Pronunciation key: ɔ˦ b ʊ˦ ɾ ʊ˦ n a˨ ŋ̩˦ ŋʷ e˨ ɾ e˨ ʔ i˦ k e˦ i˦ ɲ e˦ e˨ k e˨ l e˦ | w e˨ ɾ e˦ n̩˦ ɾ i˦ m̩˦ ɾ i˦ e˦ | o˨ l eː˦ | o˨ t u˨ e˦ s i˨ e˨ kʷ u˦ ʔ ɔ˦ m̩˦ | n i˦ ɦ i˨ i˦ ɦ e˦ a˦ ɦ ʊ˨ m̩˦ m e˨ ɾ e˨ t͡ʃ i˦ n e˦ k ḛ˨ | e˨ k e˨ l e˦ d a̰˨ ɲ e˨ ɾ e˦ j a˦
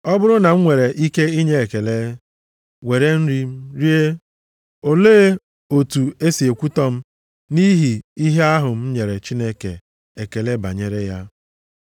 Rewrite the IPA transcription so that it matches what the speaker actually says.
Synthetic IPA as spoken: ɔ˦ b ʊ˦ ɾ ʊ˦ n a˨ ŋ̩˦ ŋʷ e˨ ɾ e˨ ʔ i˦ k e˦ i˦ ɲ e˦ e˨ k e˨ l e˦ | w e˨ ɾ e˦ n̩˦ ɾ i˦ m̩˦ ɾ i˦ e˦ | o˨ l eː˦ | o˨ t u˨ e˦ s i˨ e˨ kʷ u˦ t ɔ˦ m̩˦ | n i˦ ɦ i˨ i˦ ɦ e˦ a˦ ɦ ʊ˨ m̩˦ ɲ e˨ ɾ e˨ t͡ʃ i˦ n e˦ k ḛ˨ | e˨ k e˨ l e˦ b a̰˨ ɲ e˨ ɾ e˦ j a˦